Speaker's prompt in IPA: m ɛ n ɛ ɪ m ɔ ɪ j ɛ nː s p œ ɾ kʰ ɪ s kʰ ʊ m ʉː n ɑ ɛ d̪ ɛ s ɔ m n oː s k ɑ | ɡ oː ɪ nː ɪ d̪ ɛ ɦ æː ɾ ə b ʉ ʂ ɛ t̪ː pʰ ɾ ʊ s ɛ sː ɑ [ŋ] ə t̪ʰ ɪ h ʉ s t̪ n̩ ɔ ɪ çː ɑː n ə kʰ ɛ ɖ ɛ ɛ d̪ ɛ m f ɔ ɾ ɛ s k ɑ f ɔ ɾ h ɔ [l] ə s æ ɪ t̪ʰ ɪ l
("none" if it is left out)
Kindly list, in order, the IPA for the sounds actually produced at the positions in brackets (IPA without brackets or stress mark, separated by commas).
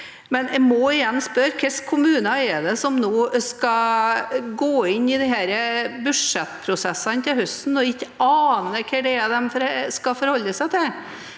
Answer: n, lː